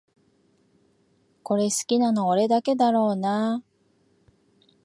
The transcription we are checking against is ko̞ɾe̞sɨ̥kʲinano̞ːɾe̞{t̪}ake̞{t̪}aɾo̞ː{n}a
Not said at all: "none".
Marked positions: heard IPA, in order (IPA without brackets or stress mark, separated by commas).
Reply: d̪, d̪, n